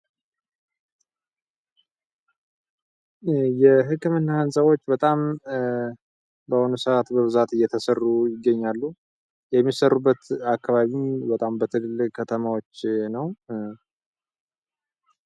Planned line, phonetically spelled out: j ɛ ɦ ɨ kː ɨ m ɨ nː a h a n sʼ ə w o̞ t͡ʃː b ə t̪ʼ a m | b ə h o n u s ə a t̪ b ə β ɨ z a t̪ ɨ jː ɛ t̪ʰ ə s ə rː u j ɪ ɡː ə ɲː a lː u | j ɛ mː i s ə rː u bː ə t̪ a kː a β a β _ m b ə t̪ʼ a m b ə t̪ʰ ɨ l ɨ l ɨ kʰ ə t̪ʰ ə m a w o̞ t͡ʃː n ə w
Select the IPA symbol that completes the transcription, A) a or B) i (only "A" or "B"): B